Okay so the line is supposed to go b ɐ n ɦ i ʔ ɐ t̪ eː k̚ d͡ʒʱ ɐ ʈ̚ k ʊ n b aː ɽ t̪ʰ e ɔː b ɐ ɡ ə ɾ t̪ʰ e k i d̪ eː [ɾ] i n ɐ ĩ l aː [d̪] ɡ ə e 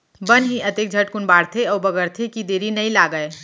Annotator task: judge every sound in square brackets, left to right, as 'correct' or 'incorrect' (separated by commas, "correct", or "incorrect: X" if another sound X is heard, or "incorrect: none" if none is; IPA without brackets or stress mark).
correct, incorrect: none